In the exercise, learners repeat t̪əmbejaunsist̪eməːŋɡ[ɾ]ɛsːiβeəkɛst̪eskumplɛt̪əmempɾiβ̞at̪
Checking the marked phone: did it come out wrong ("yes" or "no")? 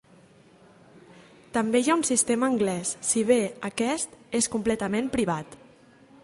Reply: yes